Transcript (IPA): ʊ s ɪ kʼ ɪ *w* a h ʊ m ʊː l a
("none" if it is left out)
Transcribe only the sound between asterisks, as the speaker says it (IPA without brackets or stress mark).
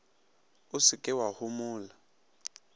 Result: w